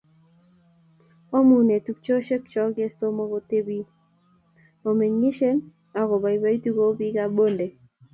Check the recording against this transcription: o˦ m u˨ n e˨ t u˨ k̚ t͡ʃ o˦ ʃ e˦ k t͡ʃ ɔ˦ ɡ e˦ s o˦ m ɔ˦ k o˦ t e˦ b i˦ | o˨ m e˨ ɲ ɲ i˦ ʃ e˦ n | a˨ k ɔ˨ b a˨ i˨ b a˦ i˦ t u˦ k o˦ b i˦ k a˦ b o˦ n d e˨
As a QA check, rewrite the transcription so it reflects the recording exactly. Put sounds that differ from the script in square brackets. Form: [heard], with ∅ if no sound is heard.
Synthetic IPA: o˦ m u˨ n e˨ t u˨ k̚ t͡ʃ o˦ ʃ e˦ k t͡ʃ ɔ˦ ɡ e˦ s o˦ m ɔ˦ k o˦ t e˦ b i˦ | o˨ m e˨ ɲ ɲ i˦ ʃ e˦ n | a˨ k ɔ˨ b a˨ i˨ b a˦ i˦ t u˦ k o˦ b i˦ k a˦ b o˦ n d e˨